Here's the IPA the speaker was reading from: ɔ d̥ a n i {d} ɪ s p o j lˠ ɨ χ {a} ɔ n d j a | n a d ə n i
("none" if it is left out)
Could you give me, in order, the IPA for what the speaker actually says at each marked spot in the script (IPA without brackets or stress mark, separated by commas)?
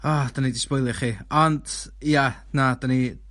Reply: d, i